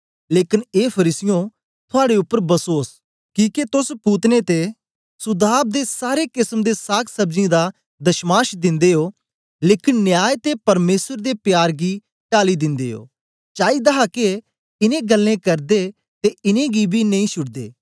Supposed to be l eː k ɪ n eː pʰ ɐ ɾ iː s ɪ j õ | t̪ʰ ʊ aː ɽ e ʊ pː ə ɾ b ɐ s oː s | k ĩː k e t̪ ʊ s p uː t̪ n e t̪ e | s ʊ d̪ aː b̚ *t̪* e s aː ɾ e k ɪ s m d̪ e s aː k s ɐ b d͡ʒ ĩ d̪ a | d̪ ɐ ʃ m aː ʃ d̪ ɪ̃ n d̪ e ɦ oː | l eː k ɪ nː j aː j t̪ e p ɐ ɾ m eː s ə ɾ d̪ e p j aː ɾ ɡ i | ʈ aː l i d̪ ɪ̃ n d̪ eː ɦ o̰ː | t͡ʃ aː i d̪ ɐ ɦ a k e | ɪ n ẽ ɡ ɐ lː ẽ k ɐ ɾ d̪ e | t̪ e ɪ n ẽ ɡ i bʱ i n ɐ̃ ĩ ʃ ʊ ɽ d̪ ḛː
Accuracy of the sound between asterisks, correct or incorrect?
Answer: incorrect